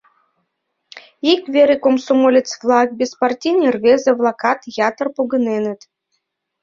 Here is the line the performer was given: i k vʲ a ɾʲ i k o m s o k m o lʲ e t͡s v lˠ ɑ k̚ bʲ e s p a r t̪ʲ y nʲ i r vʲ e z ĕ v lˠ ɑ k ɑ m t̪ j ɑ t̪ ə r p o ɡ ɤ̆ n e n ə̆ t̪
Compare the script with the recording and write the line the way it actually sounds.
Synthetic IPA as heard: i k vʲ e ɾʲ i k o m s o m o lʲ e t͡s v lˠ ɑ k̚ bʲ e s p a r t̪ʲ i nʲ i r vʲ e z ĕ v lˠ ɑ k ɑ t̪ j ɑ t̪ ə r p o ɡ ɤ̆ n e n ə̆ t̪